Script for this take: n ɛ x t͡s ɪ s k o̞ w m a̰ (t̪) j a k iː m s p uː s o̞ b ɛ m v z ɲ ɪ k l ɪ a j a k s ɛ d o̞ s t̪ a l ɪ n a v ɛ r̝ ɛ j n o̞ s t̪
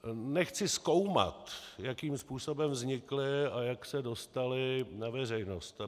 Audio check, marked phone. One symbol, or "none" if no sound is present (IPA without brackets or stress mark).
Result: t̪